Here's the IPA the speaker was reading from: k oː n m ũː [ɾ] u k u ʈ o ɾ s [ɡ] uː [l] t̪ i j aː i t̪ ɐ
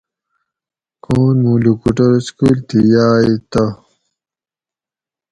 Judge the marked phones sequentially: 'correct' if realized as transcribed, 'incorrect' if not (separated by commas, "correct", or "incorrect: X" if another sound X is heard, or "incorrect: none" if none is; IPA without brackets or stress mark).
incorrect: l, incorrect: k, correct